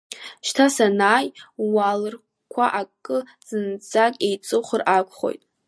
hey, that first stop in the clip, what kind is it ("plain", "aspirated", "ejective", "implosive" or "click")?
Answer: aspirated